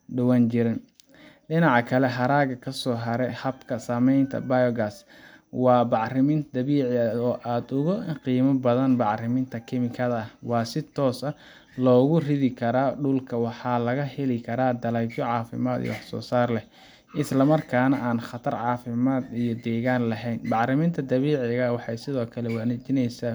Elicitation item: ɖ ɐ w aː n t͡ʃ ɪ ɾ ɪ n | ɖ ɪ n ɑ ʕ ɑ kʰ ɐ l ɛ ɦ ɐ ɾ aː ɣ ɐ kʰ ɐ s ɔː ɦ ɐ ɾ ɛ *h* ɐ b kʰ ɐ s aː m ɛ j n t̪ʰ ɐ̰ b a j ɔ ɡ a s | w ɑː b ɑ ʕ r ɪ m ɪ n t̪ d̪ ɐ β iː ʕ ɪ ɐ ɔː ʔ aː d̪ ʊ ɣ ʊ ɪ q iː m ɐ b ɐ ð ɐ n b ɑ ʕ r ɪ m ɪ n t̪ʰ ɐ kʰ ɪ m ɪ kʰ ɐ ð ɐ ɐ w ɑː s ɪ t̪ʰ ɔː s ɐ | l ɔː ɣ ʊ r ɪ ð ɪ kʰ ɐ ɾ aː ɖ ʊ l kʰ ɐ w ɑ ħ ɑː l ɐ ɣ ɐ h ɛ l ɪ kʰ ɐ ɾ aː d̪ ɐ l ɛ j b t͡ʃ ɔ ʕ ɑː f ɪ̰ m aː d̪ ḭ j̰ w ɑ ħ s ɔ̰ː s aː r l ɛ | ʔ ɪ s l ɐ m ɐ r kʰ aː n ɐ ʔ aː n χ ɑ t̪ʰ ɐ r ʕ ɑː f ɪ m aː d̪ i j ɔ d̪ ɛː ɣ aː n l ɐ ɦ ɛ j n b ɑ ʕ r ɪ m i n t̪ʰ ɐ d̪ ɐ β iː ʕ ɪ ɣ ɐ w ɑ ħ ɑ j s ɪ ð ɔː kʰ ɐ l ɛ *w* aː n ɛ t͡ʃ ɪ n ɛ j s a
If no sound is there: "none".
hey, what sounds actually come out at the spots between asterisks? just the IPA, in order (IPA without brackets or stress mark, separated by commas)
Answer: h, w